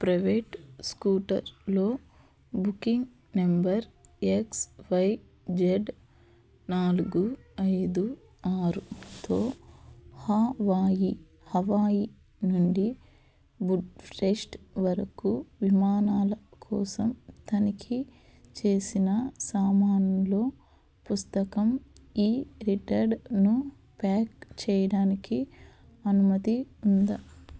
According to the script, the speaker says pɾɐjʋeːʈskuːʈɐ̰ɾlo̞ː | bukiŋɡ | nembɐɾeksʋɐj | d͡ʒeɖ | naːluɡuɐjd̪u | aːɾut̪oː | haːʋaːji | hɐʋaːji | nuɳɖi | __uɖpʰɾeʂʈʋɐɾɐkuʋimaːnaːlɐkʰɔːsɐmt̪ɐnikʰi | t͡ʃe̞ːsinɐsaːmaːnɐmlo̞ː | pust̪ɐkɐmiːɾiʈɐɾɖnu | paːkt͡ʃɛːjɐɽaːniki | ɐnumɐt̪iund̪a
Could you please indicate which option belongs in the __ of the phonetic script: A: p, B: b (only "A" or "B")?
B